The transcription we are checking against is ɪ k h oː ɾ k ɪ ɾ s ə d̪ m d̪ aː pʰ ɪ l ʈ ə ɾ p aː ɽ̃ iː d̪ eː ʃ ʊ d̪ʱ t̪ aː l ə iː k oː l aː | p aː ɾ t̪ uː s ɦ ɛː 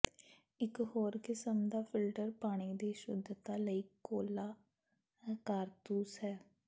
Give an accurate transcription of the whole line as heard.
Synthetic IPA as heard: ɪ k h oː ɾ k ɪ s ə m d̪ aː pʰ ɪ l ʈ ə ɾ p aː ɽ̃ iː d̪ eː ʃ ʊ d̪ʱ t̪ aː l ə iː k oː l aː | k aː ɾ t̪ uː s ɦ ɛː